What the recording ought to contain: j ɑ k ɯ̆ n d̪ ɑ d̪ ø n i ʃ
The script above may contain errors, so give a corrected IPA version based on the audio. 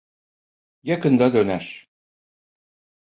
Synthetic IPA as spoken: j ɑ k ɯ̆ n d̪ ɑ d̪ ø n æ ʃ